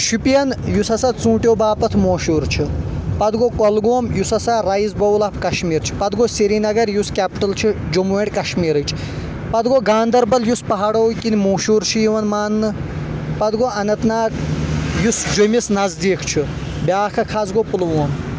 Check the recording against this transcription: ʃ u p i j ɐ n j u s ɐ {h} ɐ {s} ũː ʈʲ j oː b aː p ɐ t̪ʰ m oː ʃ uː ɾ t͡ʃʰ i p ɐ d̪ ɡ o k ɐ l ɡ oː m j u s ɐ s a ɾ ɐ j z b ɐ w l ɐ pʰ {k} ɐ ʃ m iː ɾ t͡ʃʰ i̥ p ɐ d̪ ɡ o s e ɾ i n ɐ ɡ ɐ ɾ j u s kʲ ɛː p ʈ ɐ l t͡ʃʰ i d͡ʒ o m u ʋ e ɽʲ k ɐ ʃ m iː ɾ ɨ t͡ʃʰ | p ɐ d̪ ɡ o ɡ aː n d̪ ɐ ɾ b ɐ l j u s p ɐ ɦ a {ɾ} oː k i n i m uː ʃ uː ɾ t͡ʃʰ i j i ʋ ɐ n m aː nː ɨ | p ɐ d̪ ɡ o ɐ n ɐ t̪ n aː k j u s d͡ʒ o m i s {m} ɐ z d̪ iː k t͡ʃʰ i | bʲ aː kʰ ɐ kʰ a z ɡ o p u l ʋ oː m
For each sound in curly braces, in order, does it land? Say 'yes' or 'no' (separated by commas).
no, no, yes, no, no